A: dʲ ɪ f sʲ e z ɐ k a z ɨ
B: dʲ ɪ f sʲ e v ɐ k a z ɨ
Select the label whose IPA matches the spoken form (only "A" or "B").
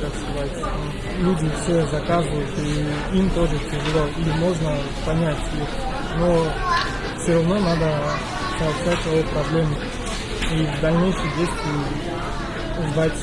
A